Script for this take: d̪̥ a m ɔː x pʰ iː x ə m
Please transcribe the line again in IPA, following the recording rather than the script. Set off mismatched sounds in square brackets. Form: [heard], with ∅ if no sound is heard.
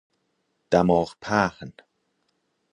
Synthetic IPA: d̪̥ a m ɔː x pʰ [aː] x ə [n]